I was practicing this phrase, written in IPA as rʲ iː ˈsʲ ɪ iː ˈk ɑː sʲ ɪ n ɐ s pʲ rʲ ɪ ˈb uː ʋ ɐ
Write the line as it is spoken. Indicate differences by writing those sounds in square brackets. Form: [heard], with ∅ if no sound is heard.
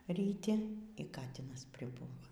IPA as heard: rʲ iː [ˈtʲ] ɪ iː ˈk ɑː [tʲ] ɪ n ɐ s pʲ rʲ ɪ ˈb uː ʋ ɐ

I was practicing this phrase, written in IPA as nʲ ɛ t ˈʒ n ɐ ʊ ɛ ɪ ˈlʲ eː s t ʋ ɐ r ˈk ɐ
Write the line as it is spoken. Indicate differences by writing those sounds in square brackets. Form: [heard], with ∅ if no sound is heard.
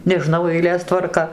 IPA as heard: nʲ ɛ [∅] ˈʒ n ɐ ʊ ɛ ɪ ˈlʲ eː s t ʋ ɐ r ˈk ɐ

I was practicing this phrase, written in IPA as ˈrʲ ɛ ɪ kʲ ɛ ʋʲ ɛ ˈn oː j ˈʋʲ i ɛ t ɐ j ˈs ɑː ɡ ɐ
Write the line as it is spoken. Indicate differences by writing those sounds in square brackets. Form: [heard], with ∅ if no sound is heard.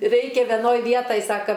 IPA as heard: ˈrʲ ɛ ɪ kʲ ɛ ʋʲ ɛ ˈn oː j ˈʋʲ i ɛ t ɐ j ˈs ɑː [k] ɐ

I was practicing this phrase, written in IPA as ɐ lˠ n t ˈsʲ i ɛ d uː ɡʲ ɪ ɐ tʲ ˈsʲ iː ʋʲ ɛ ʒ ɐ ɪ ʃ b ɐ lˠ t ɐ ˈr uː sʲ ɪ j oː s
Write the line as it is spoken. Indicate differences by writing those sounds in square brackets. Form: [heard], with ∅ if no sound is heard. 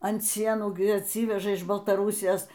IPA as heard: ɐ [∅] n t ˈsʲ i ɛ [n] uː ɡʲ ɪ ɐ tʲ ˈsʲ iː ʋʲ ɛ ʒ ɐ ɪ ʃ b ɐ lˠ t ɐ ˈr uː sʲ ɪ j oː s

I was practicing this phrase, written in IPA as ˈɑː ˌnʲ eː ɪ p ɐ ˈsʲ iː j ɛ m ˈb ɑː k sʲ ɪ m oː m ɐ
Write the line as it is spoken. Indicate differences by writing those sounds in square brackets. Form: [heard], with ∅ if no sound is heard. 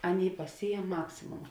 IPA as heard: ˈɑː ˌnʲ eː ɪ p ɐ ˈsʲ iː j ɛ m [ˈm] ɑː k sʲ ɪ m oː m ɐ

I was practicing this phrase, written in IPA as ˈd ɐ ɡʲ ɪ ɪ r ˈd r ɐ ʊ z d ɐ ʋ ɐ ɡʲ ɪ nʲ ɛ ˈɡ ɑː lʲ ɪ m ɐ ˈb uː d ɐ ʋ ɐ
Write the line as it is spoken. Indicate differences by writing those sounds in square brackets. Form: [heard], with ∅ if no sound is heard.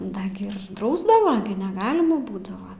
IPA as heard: ˈd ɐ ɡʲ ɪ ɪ r ˈd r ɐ ʊ z d ɐ ʋ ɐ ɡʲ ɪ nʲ ɛ ˈɡ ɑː lʲ ɪ m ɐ ˈb uː d ɐ ʋ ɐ

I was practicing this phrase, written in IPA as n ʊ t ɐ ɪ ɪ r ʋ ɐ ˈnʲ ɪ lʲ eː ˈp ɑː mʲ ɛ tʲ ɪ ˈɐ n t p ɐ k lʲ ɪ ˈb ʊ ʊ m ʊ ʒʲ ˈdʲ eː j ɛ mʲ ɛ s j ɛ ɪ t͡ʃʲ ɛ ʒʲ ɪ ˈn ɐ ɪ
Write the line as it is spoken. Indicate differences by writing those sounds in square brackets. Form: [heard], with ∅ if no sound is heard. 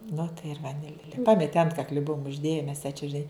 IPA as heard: n ʊ t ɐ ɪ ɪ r ʋ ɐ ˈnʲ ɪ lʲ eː ˈp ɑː mʲ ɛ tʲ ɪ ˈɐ n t [k] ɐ k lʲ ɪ ˈb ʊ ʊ m ʊ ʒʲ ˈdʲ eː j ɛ mʲ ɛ s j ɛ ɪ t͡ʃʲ ɛ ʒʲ ɪ ˈn ɐ ɪ

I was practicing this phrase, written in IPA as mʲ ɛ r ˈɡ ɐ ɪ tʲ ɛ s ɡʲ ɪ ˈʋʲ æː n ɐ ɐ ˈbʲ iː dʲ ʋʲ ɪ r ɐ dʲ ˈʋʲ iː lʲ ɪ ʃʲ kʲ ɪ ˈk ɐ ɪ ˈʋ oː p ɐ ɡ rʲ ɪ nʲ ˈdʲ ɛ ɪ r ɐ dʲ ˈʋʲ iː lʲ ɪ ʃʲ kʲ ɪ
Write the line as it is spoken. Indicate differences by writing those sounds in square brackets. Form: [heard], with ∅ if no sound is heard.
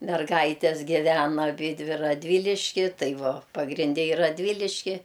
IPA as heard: mʲ ɛ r ˈɡ ɐ ɪ tʲ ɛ s ɡʲ ɪ ˈʋʲ æː n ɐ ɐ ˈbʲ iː dʲ ʋʲ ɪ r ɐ dʲ ˈʋʲ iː lʲ ɪ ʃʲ kʲ ɪ [ˈt] ɐ ɪ ˈʋ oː p ɐ ɡ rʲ ɪ nʲ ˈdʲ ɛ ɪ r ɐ dʲ ˈʋʲ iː lʲ ɪ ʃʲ kʲ ɪ

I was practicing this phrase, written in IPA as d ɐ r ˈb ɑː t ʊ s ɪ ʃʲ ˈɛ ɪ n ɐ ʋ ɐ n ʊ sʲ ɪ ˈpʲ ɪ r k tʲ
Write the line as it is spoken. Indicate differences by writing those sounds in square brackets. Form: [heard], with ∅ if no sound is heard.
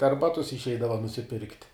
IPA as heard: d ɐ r ˈb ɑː t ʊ s ɪ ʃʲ ˈɛ ɪ [d] ɐ ʋ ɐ n ʊ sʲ ɪ ˈpʲ ɪ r k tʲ

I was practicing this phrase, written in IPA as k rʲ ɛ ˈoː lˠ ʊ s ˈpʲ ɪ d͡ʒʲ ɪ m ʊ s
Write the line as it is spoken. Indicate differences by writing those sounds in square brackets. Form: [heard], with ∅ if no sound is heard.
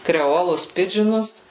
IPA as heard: k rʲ ɛ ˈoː lˠ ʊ s ˈpʲ ɪ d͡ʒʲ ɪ [n] ʊ s

